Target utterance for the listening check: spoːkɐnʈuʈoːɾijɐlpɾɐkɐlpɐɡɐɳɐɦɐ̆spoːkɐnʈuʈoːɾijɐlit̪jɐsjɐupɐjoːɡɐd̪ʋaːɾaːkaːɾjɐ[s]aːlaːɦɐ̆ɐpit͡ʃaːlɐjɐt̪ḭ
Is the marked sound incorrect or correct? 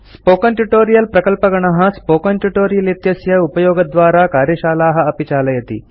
incorrect